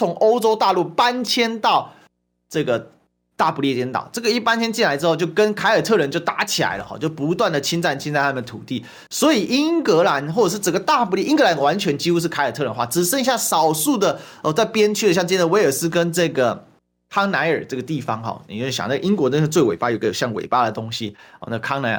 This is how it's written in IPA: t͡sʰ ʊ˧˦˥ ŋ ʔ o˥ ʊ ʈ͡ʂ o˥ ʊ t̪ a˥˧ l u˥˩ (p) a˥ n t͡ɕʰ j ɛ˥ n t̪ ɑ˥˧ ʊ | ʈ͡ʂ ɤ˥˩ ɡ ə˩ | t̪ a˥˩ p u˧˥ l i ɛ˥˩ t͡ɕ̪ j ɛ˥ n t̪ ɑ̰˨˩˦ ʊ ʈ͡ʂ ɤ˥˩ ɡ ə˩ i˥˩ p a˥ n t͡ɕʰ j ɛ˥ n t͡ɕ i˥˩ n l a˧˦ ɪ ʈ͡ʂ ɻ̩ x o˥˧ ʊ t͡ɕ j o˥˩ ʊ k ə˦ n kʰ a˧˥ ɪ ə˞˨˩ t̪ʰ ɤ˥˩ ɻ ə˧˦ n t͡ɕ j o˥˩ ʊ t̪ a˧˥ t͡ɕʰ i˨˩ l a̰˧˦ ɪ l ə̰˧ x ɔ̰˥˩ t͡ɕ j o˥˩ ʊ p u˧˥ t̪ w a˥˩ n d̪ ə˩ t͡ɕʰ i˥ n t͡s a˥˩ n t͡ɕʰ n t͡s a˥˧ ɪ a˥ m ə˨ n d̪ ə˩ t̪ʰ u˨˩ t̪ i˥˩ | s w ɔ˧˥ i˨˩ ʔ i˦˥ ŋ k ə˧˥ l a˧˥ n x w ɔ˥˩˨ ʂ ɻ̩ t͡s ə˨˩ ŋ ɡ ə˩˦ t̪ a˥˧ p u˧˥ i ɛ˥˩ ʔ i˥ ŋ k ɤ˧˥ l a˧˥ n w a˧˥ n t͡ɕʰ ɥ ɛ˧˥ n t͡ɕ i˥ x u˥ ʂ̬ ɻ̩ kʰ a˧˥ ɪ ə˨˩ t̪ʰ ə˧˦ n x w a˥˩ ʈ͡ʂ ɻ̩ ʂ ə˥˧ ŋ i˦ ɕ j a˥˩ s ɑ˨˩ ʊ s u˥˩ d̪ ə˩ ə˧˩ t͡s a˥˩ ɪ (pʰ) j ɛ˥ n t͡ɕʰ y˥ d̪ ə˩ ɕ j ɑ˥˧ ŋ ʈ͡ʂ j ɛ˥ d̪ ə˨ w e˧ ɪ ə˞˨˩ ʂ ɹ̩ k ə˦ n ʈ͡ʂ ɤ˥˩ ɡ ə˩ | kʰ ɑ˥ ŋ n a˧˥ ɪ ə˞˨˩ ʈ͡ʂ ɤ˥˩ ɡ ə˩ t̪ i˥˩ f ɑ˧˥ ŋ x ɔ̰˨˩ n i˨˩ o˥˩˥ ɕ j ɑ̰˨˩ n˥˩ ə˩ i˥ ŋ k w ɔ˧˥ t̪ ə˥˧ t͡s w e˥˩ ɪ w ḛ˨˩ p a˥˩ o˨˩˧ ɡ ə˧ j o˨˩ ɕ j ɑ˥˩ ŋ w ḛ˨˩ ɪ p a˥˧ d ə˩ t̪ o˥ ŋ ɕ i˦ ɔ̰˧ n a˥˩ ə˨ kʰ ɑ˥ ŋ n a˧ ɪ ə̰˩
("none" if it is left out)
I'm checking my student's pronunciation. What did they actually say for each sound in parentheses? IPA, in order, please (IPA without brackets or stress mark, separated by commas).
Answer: p, p